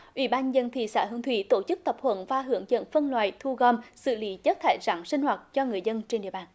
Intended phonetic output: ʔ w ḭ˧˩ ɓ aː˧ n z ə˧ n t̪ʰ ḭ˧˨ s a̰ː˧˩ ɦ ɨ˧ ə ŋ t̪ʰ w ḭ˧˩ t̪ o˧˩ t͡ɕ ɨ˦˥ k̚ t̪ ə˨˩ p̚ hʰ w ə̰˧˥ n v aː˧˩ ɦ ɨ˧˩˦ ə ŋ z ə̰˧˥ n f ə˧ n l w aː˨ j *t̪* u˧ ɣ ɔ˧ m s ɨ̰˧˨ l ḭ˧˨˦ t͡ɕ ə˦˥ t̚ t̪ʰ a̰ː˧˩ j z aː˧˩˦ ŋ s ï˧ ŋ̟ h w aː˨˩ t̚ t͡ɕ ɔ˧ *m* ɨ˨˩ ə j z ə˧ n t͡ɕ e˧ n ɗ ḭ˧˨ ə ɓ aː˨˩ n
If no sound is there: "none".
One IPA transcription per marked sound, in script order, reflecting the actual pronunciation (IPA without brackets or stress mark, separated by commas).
t̪ʰ, ŋ